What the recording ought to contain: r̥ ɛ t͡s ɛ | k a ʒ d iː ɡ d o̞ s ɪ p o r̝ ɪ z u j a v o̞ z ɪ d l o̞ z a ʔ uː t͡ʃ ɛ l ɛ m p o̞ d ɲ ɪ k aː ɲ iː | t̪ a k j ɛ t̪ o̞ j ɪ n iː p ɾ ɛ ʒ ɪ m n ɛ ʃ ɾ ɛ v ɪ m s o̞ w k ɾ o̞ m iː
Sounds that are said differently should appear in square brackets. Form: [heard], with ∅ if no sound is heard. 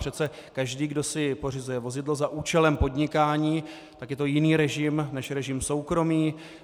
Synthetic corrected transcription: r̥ ɛ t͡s ɛ | k a ʒ d iː ɡ d o̞ s ɪ p o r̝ ɪ z u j [ɛ] v o̞ z ɪ d l o̞ z a ʔ uː t͡ʃ ɛ l ɛ m p o̞ d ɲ ɪ k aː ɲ iː | t̪ a k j ɛ t̪ o̞ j ɪ n iː [∅] ɾ ɛ ʒ ɪ m n ɛ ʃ ɾ ɛ [ʒ] ɪ m s o̞ w k ɾ o̞ m iː